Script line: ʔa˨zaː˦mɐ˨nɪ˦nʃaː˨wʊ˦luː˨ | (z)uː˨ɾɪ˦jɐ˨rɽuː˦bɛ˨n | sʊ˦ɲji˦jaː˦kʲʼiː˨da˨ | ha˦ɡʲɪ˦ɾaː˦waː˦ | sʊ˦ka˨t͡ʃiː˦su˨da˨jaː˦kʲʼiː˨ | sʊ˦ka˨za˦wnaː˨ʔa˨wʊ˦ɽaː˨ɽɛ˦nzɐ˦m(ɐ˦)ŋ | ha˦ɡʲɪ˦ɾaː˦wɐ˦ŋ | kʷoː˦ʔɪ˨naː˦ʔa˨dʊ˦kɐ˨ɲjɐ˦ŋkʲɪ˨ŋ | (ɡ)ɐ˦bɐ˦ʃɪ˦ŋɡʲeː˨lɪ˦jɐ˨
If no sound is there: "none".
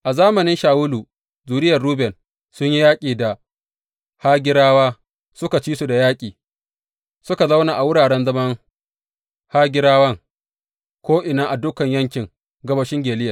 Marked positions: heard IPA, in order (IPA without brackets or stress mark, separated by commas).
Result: z, ɐ˦, ɡ